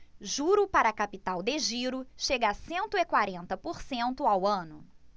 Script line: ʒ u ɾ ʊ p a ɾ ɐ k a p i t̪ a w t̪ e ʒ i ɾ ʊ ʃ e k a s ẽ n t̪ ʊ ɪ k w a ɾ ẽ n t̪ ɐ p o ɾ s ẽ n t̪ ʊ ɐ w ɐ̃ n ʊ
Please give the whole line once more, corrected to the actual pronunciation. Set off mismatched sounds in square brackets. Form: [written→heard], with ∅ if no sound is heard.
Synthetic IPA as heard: ʒ u ɾ ʊ p a ɾ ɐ k a p i t̪ a w [t̪→d̪] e ʒ i ɾ ʊ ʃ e [k→ɡ] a s ẽ n t̪ ʊ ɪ k w a ɾ ẽ n t̪ ɐ p o ɾ s ẽ n t̪ ʊ [ɐ→a] w ɐ̃ n ʊ